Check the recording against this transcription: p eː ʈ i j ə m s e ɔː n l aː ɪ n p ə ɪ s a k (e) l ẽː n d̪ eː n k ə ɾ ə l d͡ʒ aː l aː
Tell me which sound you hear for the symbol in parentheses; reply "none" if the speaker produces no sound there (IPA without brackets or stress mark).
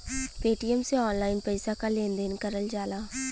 a